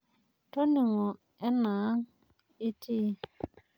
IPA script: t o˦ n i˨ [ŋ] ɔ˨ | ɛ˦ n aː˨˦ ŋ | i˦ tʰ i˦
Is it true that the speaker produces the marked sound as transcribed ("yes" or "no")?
yes